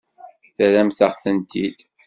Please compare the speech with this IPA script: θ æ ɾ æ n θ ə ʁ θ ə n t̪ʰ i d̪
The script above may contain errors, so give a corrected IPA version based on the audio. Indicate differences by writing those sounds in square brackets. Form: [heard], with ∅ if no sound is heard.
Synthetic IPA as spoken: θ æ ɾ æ [m] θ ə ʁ θ ə n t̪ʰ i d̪